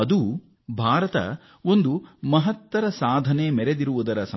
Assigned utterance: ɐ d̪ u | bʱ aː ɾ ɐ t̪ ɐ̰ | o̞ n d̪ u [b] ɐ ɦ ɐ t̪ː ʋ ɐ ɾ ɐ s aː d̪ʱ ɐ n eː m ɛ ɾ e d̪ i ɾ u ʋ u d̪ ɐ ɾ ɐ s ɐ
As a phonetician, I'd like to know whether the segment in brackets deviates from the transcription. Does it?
yes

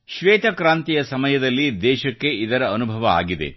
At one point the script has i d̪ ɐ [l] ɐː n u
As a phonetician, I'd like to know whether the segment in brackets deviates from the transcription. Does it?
yes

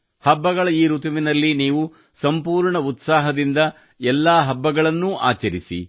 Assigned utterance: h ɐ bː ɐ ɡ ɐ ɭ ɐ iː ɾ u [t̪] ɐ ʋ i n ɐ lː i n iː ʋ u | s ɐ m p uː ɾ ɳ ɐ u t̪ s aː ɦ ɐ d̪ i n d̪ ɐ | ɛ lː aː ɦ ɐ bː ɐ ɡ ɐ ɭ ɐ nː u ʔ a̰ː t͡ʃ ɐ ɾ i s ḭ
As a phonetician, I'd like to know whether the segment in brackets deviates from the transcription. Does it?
no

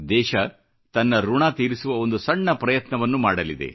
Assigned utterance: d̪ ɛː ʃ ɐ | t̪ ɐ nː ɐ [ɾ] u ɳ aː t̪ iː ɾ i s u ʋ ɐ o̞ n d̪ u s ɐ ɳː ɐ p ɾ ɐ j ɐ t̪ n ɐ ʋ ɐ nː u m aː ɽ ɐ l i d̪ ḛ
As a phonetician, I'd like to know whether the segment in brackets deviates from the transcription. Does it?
no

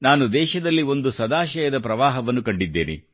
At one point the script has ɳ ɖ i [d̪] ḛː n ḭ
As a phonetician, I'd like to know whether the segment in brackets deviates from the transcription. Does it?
yes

